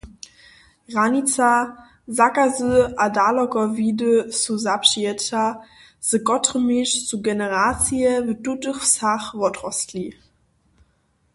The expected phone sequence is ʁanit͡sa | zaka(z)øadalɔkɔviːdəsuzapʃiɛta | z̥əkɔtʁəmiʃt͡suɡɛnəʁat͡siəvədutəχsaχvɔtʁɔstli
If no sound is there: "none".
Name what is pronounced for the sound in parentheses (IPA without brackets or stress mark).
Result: z